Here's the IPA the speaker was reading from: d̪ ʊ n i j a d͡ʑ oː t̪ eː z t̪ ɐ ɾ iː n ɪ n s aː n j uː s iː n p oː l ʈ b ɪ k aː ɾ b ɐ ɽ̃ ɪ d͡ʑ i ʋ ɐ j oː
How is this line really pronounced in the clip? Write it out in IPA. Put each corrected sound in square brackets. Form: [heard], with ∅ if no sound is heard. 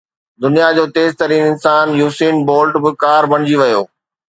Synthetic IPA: d̪ ʊ n i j a d͡ʑ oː t̪ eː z t̪ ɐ ɾ iː n ɪ n s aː n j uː s iː n [b] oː l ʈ b ɪ k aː ɾ b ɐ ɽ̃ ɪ d͡ʑ i ʋ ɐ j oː